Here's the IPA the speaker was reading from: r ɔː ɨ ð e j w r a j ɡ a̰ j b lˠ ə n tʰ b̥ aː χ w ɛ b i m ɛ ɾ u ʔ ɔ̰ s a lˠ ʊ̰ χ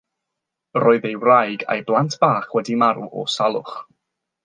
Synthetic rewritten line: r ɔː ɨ ð e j w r a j ɡ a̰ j b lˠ a n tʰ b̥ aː χ w ɛ d i m a ɾ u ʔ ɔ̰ s a lˠ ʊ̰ χ